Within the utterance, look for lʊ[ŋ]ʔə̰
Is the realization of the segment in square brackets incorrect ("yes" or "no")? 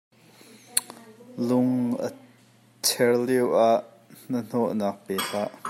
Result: no